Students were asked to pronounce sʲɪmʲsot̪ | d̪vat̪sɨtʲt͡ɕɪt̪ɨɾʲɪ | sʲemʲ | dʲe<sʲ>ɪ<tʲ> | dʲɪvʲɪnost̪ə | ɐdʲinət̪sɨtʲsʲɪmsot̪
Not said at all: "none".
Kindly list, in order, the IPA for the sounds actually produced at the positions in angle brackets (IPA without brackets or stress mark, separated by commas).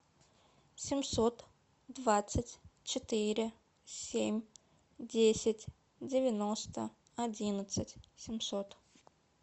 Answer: sʲ, tʲ